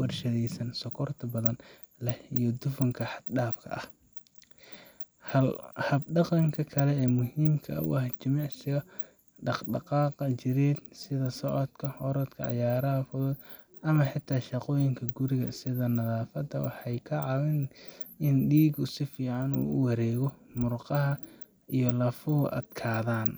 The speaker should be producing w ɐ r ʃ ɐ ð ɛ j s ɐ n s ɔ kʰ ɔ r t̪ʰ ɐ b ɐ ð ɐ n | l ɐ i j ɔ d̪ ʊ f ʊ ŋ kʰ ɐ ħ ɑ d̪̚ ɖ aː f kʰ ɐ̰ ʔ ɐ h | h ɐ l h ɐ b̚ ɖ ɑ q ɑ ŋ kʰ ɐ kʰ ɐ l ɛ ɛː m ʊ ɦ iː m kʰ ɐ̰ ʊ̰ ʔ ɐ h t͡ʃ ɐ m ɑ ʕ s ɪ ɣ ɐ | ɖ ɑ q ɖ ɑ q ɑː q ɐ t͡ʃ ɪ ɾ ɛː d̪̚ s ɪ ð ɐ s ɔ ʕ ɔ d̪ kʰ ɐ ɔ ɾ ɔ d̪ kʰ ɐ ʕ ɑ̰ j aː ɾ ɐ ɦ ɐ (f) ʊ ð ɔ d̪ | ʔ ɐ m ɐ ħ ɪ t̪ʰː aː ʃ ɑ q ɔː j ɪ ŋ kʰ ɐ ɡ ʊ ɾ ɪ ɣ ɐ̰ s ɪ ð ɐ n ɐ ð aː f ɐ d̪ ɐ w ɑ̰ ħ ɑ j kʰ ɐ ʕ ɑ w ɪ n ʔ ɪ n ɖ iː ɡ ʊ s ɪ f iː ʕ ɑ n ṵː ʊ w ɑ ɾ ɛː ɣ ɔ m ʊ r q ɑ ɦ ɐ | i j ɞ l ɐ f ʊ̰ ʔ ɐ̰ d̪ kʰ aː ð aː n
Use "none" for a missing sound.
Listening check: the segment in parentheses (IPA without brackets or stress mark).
f